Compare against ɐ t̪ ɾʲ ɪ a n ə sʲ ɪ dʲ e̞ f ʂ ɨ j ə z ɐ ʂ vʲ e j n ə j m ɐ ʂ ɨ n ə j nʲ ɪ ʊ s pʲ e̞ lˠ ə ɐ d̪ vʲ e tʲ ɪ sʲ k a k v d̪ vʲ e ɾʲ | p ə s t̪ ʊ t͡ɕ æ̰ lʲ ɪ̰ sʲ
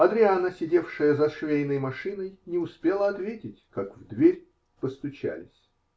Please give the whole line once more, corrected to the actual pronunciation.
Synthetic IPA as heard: ɐ d̪ ɾʲ ɪ a n ə sʲ ɪ dʲ e̞ f ʂ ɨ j ə z ɐ ʂ vʲ e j n ə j m ɐ ʂ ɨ n ə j nʲ ɪ ʊ s pʲ e̞ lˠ ə ɐ t̪ vʲ e tʲ ɪ tʲ k a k v d̪ vʲ e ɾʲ | p ə s t̪ ʊ t͡ɕ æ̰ lʲ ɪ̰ sʲ